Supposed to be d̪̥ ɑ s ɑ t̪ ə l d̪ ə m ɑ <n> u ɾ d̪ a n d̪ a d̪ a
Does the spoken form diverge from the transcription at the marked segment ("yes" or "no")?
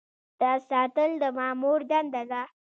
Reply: yes